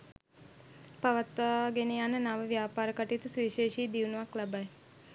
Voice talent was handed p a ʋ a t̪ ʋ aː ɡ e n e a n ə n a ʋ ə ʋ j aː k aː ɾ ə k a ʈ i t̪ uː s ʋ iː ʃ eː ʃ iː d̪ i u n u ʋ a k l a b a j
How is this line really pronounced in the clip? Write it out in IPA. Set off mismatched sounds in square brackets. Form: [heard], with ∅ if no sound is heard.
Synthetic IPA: p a ʋ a t̪ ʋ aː ɡ e n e a n ə n a ʋ ə ʋ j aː [p] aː ɾ ə k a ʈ i t̪ [u] s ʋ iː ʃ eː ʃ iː d̪ i u n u ʋ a k l a b a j